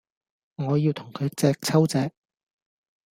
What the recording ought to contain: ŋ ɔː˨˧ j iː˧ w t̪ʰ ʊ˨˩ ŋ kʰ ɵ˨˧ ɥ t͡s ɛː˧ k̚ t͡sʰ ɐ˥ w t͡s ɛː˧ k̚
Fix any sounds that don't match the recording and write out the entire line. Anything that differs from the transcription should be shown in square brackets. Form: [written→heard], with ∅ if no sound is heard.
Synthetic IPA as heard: ŋ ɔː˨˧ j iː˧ w t̪ʰ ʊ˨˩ ŋ kʰ ɵ˨˧ ɥ t͡s ɛː˧ k̚ t͡sʰ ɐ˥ w t͡s ɛː˧ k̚